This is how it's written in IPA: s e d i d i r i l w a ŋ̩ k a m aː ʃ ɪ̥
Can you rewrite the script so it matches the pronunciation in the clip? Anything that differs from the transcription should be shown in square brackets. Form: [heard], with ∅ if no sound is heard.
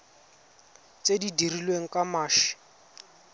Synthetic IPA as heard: [t͡s] e d i d i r i l w [e] ŋ̩ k a m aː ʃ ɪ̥

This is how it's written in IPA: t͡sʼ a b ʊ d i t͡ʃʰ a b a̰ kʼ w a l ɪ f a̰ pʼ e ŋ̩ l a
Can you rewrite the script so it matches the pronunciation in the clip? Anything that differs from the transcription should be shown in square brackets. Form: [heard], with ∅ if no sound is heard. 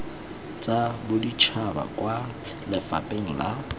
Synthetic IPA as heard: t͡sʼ a b ʊ d i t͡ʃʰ a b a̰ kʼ w a l ɪ f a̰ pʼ e ŋ̩ l a

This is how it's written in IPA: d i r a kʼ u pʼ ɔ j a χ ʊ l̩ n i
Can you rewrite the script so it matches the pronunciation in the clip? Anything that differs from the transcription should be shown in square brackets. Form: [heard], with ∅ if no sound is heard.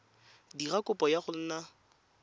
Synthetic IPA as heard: d i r a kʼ [ʊ] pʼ ɔ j a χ ʊ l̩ n [a]

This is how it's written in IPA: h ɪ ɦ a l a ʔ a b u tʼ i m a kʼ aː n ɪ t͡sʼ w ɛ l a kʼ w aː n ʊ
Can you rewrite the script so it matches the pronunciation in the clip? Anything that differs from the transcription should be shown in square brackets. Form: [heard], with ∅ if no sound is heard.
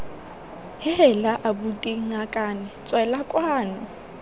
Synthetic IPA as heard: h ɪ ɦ [ɛ] l a ʔ a b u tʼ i [ŋ] a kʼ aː n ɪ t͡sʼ w ɛ l a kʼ w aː n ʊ

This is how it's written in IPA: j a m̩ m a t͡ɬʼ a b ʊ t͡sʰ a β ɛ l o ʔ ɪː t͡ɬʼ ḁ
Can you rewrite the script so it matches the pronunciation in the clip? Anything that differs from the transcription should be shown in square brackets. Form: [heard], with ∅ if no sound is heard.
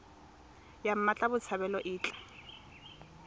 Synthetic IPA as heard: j a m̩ m a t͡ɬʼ a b ʊ t͡sʰ a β ɛ l [ɔ] ʔ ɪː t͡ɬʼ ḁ

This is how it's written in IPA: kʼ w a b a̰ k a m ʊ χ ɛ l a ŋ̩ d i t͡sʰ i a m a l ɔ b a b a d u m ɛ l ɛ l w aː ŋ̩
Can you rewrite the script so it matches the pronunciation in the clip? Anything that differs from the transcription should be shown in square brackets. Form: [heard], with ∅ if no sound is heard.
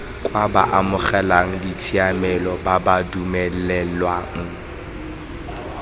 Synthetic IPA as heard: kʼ w a b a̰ [ʔ] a m ʊ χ ɛ l a ŋ̩ d i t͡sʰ i a m [ɛ] l ɔ b a b a d u m ɛ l ɛ l w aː ŋ̩

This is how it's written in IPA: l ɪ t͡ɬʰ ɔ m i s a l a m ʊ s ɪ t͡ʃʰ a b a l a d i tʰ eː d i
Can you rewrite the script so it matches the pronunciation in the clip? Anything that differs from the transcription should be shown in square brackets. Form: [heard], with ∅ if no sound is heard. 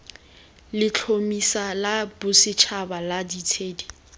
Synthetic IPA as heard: l ɪ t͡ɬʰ [o] m i s a l a [b] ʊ s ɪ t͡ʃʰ a b a l a d i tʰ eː d i

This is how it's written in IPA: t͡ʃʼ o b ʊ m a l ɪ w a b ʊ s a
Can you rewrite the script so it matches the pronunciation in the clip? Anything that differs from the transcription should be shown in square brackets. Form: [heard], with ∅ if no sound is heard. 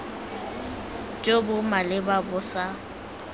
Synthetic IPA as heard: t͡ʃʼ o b ʊ m a l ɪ [b] a b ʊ s a

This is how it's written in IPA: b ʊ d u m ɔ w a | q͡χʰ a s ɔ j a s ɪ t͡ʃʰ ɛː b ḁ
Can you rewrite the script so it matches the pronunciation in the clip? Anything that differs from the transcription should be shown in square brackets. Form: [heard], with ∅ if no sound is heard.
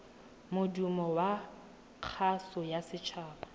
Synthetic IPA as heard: [m] ʊ d u m ɔ w a | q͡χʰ a s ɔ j a s ɪ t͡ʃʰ [aː] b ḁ

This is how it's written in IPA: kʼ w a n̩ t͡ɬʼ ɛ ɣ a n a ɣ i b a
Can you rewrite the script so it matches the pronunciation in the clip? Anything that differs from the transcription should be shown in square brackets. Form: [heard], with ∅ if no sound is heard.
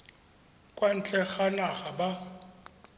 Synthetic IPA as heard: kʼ w a n̩ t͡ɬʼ ɛ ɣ a n a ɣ [a] b a

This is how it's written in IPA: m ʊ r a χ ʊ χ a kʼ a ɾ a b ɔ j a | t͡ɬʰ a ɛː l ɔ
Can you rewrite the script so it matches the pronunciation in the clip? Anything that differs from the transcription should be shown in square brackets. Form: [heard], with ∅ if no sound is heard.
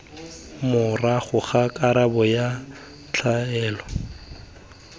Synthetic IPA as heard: m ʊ r a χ ʊ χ a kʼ a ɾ a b ɔ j a | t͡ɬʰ a ɛː l ɔ

